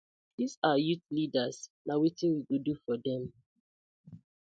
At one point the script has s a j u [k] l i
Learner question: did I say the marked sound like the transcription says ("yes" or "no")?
no